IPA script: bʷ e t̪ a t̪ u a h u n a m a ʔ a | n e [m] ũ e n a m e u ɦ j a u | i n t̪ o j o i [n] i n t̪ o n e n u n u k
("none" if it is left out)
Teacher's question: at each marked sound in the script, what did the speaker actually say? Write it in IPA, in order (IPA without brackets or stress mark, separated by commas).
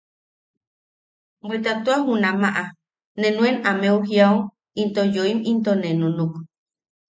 n, m